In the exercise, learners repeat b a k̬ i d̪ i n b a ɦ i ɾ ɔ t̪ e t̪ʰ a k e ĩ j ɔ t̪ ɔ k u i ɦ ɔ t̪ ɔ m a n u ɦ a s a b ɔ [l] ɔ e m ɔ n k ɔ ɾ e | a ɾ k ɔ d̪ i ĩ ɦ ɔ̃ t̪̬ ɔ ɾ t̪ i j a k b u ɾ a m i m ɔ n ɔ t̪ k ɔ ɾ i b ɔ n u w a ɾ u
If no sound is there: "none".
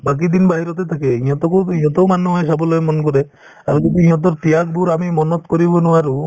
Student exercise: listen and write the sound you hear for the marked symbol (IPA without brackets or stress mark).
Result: l